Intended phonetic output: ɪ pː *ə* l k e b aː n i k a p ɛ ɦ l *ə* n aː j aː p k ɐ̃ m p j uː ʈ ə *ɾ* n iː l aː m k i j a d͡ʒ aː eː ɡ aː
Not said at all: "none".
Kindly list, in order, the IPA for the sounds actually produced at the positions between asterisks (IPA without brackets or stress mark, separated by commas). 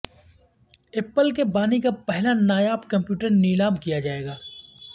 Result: ə, a, ɾ